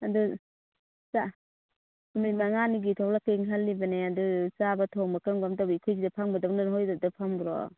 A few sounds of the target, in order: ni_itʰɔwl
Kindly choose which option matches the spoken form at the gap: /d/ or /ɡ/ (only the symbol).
ɡ